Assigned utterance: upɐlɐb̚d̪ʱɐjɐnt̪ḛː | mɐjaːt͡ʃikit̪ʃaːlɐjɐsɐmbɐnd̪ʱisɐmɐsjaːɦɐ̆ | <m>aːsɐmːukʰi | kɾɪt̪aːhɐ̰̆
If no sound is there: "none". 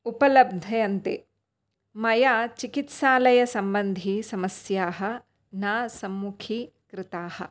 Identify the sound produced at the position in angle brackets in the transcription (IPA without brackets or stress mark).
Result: n